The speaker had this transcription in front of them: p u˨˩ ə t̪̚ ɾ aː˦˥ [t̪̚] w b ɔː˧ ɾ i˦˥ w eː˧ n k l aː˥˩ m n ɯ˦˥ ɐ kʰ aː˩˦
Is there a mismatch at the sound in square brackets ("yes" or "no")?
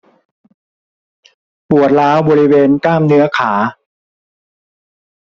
yes